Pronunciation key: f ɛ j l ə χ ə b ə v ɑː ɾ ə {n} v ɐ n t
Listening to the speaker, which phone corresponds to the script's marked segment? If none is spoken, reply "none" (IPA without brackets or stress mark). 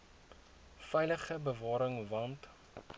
ŋ